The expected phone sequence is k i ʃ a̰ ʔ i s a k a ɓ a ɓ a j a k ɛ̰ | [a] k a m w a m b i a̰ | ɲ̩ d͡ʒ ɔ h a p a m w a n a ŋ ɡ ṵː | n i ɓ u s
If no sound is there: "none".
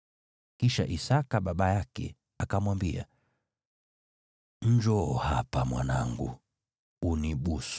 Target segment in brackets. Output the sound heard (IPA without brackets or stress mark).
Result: a